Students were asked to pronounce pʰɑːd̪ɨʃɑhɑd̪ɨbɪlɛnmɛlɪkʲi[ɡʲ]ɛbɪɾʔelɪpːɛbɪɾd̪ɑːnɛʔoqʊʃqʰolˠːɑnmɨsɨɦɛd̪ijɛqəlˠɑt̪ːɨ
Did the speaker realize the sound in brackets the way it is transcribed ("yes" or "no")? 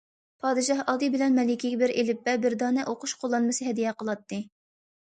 yes